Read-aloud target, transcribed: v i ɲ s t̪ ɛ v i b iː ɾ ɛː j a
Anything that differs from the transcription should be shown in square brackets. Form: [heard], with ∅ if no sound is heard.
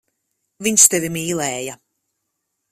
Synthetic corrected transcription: v i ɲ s t̪ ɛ v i [m] iː [l] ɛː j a